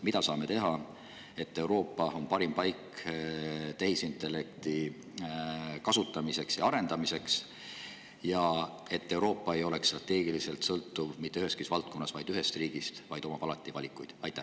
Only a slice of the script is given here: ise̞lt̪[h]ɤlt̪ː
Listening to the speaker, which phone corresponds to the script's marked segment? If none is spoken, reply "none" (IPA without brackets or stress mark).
s